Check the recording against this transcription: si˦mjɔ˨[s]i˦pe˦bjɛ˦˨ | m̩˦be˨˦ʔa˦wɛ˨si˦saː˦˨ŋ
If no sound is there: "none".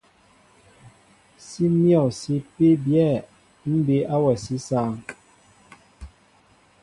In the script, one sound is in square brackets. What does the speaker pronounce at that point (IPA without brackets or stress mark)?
s